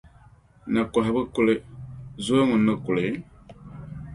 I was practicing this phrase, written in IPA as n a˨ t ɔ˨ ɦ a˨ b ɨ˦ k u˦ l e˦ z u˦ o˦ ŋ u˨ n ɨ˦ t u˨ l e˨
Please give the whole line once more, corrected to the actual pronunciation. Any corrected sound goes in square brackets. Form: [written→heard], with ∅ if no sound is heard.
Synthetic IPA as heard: n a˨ [t→k] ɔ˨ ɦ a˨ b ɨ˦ k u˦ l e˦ z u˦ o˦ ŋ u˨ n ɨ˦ [t→k] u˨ l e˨